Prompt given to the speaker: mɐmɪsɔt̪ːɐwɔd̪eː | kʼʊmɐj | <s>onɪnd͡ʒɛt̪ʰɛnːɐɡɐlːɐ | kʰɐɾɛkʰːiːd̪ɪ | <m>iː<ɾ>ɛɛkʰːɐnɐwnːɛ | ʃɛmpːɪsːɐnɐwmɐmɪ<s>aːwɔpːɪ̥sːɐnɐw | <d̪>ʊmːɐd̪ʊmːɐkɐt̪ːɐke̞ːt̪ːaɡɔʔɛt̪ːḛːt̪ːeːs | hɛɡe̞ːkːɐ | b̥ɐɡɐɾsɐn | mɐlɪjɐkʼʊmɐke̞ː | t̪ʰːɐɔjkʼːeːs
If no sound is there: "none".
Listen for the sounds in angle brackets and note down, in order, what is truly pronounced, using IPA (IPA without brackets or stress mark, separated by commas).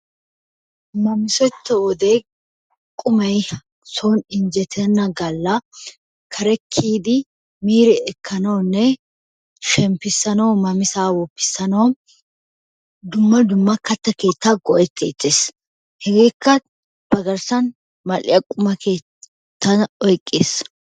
s, m, ɾ, s, d̪